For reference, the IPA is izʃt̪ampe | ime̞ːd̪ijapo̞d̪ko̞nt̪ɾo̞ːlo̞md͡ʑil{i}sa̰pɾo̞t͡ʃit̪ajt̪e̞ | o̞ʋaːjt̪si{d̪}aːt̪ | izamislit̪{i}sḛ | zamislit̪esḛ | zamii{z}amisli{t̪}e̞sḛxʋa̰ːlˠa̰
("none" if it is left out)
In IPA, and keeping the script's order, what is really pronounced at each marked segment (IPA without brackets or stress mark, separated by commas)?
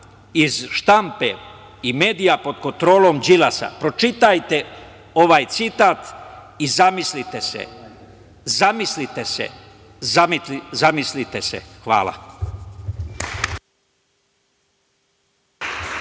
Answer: a, t̪, e, z, t̪